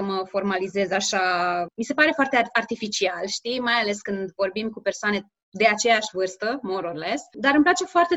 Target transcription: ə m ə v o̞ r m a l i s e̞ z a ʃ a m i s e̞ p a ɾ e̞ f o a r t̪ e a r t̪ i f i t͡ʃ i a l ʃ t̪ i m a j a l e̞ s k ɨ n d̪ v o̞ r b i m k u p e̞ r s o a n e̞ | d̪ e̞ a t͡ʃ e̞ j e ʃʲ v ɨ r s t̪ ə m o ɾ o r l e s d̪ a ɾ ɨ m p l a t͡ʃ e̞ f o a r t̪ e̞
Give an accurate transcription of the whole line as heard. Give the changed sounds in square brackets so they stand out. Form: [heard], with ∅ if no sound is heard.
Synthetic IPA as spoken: ə m ə [f] o̞ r m a l i [z] e̞ z a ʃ a m i s e̞ p a ɾ e̞ f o a r t̪ e a r t̪ i f i t͡ʃ i a l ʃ t̪ i m a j a l e̞ s k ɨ n d̪ v o̞ r b i m k u p e̞ r s o a n e̞ | d̪ e̞ a t͡ʃ e̞ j [a] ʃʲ v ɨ r s t̪ ə m o ɾ o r l e s d̪ a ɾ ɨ m p l a t͡ʃ e̞ f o a r t̪ e̞